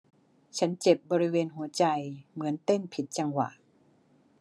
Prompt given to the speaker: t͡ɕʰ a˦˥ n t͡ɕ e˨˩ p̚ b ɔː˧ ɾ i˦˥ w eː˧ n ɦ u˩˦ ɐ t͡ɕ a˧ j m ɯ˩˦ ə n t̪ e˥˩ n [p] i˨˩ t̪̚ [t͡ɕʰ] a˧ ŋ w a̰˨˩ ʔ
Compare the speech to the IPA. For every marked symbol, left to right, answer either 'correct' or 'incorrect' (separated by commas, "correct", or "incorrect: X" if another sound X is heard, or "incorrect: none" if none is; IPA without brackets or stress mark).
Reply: incorrect: pʰ, incorrect: t͡ɕ